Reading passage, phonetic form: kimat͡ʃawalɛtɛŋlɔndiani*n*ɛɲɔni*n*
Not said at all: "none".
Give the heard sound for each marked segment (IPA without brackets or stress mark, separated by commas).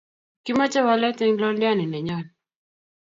n, none